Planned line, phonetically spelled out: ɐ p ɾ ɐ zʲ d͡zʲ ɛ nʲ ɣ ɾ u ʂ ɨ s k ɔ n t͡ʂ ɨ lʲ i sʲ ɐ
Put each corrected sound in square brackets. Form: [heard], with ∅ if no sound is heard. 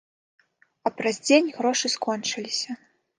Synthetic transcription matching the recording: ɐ p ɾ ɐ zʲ d͡zʲ [e] nʲ ɣ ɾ [ɔ] ʂ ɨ s k ɔ n t͡ʂ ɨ lʲ i sʲ ɐ